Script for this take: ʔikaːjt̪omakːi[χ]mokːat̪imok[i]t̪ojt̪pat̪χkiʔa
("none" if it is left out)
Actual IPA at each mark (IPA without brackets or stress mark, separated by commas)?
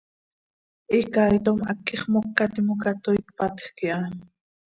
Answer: χ, a